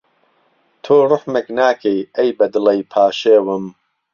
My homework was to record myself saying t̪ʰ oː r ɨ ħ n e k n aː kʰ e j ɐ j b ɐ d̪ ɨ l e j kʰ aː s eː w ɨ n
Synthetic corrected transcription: t̪ʰ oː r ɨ ħ m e k n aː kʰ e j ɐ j b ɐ d̪ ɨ l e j pʰ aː ʃ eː w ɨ m